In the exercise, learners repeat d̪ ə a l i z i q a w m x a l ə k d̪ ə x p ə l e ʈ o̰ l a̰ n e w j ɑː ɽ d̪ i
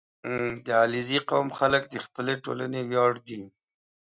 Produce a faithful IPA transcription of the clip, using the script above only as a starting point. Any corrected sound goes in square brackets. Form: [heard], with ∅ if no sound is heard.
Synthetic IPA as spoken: d̪ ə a l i z i q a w m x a l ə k d̪ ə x p ə l e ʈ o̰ l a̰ n e w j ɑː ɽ d̪ i